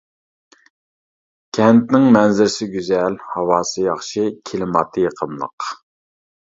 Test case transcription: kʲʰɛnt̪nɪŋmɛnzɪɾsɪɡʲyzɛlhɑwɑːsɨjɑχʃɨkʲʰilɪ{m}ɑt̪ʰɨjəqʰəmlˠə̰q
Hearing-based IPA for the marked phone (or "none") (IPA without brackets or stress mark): m